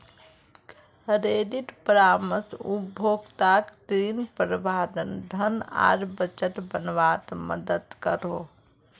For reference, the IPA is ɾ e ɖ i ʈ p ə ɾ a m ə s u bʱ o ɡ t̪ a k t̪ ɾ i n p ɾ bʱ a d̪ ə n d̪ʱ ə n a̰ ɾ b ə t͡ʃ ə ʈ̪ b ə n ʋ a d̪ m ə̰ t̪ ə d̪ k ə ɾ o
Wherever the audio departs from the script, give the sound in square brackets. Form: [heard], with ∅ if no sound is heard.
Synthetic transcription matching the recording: ɾ e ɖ i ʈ p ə ɾ a m ə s u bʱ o ɡ t̪ a k t̪ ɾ i n p ɾ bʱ a d̪ ə n d̪ʱ ə n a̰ ɾ b ə t͡ʃ ə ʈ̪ b ə n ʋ a [t̪] m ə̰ [d̪] ə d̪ k ə ɾ o